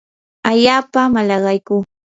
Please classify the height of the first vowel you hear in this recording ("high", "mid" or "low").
low